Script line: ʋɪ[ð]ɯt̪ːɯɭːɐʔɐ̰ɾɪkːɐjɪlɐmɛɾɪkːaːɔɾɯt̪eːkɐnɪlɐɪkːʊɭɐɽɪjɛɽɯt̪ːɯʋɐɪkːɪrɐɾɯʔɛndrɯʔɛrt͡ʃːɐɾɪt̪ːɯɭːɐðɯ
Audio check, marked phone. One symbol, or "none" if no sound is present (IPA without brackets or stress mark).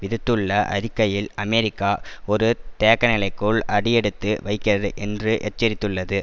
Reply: ð